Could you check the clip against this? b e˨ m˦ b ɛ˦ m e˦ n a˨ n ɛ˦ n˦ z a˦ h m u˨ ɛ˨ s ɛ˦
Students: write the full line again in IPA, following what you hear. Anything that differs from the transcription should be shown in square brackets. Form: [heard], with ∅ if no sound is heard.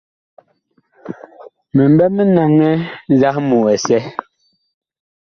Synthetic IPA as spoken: [m] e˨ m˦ b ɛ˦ m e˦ n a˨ [ŋ] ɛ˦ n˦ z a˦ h m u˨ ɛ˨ s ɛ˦